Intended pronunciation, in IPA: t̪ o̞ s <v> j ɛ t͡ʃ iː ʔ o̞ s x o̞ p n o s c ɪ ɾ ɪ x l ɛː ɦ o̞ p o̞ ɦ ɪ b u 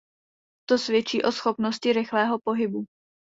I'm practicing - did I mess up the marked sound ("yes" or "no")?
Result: no